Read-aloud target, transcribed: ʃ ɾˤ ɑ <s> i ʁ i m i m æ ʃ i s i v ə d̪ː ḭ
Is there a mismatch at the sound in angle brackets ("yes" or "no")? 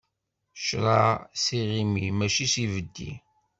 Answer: no